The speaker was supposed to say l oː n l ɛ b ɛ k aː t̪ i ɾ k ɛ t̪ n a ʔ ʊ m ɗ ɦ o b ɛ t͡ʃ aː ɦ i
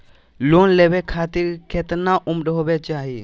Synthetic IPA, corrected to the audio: l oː n l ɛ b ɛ kʰ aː t̪ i ɾ k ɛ t̪ n a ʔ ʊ m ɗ ɦ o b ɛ t͡ʃ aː ɦ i